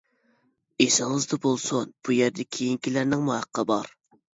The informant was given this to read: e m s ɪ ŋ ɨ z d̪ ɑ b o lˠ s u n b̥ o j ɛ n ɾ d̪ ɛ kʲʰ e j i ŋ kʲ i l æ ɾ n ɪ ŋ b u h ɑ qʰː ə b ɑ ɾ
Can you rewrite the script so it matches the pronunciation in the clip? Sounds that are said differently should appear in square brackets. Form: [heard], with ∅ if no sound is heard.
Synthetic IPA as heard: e [∅] s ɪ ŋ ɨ z d̪ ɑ b o lˠ s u n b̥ [u] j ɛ [∅] ɾ d̪ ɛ kʲʰ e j i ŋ kʲ i l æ ɾ n ɪ ŋ [m] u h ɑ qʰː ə b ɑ ɾ